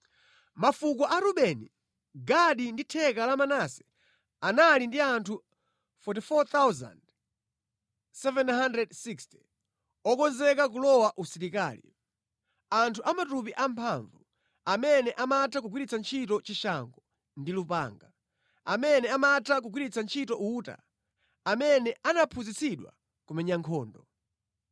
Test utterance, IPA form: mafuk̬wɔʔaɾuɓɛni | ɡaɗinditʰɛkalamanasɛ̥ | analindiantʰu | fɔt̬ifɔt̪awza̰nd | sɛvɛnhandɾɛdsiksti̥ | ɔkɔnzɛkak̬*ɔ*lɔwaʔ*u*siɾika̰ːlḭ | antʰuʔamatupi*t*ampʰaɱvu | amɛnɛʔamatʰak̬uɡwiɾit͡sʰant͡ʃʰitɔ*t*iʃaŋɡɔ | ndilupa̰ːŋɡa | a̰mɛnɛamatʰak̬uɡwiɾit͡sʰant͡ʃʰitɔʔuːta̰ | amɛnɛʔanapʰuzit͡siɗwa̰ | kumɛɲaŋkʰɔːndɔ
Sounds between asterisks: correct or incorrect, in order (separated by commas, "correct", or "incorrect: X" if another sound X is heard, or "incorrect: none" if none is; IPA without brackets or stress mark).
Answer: incorrect: u, correct, incorrect: ʔ, incorrect: t͡ʃ